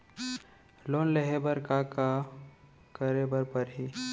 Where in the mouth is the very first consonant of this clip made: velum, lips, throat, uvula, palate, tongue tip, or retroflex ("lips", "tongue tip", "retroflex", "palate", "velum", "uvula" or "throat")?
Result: tongue tip